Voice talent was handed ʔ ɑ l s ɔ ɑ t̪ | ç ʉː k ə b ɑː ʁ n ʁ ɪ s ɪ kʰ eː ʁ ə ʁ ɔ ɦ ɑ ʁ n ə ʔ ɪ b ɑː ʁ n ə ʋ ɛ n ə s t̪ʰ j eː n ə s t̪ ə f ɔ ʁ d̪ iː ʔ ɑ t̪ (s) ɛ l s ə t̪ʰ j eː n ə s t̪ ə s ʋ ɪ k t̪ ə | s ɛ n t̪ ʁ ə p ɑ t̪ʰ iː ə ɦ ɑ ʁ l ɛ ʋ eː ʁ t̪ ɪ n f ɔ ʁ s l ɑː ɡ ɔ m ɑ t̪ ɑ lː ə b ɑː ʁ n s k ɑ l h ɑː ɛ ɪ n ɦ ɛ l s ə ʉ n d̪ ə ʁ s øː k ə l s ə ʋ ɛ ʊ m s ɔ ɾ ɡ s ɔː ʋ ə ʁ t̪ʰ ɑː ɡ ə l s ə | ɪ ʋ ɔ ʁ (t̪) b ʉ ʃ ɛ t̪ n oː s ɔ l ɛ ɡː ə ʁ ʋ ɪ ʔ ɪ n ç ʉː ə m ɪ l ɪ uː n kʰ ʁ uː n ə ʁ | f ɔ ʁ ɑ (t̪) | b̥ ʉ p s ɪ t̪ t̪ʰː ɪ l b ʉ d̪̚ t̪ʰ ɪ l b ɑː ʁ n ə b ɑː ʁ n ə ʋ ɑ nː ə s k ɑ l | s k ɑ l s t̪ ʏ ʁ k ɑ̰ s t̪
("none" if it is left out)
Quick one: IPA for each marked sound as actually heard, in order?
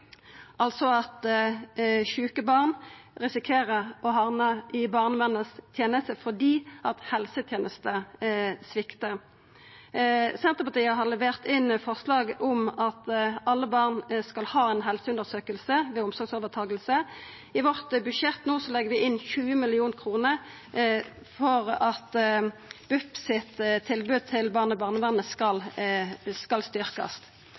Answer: h, t̪, t̪

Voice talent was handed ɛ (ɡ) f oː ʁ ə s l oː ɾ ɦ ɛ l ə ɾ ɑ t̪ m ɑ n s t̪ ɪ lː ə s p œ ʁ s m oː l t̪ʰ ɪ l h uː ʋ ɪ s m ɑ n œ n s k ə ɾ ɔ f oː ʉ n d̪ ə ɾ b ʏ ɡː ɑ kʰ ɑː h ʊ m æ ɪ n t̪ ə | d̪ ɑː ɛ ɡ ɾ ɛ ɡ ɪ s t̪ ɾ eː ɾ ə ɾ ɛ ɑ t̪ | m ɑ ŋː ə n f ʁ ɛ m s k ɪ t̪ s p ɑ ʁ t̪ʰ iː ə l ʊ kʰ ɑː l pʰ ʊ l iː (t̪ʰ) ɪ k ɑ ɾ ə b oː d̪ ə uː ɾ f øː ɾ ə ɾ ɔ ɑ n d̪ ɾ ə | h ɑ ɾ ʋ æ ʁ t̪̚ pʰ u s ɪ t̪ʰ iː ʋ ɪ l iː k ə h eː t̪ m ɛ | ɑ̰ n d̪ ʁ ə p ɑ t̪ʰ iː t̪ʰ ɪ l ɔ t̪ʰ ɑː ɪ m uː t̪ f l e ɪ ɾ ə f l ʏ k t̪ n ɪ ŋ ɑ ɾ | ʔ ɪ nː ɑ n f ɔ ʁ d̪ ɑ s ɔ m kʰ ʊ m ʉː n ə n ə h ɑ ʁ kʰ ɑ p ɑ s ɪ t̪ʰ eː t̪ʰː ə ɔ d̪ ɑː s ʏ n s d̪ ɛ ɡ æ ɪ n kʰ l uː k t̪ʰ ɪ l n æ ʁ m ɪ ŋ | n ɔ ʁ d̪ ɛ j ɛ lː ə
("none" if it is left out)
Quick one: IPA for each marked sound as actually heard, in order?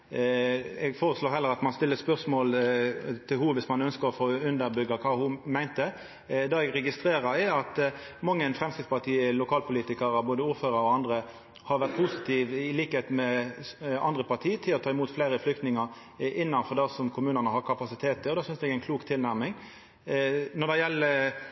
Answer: ɡ, t̪

